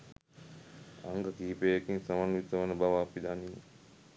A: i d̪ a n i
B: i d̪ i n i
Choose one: A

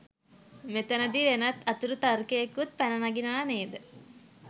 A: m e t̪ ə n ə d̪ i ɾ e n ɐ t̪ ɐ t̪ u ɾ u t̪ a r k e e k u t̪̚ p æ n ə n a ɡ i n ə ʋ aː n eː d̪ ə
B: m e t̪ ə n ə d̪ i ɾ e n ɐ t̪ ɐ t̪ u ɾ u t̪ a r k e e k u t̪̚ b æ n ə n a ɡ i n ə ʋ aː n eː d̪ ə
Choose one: A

